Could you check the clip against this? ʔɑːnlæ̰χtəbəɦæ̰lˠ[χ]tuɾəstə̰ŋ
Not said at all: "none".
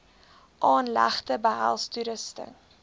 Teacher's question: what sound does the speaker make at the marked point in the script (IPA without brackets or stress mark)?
s